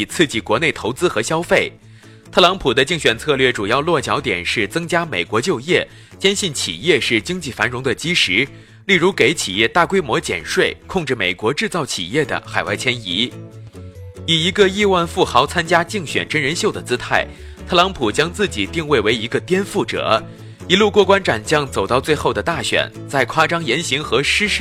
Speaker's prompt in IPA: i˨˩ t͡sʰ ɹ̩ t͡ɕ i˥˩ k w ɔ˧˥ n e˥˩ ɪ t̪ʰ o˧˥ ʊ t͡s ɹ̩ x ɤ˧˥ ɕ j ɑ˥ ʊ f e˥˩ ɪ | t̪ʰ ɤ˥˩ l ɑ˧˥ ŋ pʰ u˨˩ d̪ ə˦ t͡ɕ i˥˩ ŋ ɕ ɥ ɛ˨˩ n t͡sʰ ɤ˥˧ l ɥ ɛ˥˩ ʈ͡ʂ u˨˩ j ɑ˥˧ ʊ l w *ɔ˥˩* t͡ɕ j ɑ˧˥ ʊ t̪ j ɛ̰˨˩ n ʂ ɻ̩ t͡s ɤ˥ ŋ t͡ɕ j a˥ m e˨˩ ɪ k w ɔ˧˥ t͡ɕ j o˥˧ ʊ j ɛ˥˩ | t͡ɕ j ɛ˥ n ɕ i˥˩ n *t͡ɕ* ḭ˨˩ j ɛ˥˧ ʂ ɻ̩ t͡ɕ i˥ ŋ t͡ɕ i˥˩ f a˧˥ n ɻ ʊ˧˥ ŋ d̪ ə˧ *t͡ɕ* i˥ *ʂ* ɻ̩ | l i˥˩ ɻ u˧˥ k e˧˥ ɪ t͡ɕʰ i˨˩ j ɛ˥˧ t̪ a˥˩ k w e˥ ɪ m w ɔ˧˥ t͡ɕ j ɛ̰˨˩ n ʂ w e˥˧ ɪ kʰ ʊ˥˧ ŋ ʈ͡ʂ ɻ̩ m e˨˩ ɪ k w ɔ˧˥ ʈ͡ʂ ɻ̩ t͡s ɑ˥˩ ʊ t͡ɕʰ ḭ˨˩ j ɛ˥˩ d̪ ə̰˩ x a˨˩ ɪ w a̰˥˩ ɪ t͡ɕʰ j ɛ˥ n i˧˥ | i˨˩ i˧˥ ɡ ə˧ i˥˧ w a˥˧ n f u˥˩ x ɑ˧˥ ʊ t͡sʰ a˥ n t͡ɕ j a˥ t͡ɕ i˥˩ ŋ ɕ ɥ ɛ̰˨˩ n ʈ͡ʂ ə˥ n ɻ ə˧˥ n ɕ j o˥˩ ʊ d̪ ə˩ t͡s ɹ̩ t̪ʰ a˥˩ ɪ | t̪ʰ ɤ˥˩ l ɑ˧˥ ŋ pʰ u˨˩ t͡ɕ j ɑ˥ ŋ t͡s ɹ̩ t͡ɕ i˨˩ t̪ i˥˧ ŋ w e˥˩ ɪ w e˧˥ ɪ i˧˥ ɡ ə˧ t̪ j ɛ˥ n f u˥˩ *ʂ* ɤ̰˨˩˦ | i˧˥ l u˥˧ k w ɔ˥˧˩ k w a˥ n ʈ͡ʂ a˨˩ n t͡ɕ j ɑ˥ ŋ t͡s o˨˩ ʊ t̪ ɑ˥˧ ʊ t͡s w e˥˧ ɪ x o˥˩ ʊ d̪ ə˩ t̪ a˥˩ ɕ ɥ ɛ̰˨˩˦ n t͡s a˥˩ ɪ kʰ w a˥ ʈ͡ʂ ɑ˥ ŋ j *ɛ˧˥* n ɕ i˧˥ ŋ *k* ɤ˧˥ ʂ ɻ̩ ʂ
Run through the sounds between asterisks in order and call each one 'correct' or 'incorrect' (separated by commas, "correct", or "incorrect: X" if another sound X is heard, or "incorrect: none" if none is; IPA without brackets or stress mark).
correct, incorrect: t͡ɕʰ, correct, correct, incorrect: ʈ͡ʂ, correct, incorrect: x